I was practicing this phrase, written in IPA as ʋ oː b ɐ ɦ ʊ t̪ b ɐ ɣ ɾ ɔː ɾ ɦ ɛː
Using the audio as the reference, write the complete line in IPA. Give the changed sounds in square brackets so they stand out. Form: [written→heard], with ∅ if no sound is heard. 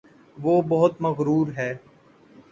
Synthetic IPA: ʋ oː b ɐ ɦ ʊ t̪ [b→m] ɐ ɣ ɾ [ɔː→uː] ɾ ɦ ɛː